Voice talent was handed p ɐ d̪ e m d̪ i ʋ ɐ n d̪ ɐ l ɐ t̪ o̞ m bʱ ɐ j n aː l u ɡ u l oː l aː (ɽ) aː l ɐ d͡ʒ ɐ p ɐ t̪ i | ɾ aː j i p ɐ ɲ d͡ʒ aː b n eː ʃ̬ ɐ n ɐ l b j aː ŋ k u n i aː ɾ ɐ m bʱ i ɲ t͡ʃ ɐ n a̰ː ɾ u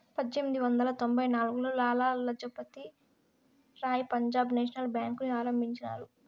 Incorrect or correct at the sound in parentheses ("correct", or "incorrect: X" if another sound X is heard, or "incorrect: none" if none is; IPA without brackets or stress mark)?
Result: incorrect: l